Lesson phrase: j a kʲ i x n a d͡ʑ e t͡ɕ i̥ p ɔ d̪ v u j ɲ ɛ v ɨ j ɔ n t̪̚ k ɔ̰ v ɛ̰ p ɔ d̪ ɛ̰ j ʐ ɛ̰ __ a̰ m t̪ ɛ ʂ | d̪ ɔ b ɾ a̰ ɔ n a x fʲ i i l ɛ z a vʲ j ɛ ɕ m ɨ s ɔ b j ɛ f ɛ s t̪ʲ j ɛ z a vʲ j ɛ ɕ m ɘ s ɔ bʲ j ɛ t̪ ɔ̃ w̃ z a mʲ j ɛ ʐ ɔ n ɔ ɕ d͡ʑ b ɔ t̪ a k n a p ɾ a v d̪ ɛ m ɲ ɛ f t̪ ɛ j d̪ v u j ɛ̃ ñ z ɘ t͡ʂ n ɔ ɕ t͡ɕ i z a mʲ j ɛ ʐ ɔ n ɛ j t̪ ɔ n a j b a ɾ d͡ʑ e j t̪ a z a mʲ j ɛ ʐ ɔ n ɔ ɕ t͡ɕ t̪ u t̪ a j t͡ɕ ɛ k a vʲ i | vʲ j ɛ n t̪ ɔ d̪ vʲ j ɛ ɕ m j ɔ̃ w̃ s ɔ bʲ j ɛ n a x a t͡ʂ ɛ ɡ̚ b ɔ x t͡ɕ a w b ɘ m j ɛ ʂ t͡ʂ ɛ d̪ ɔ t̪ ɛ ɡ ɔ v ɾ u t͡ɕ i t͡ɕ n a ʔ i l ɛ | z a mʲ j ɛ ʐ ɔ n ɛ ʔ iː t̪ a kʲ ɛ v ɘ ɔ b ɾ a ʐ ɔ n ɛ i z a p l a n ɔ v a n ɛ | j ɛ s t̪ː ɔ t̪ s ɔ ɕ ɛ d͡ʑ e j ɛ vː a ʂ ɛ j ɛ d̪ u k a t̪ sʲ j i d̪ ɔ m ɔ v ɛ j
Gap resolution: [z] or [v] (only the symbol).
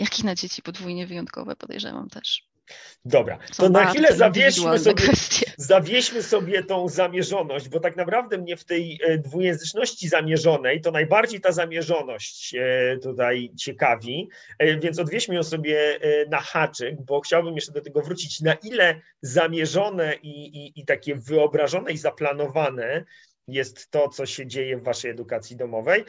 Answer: v